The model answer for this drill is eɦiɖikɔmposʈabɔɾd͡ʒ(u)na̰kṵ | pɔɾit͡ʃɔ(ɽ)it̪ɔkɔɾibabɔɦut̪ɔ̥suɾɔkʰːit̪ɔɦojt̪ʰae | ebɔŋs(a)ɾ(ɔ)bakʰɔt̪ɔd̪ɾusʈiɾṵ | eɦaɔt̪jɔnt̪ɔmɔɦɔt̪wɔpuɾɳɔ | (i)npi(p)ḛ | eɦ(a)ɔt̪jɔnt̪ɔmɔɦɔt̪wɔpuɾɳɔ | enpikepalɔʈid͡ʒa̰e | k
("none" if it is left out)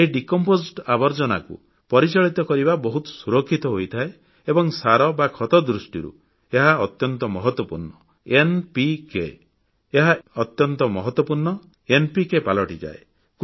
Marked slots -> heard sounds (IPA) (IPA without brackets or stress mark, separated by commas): ɔ, ɭ, a, ɔ, e, k, a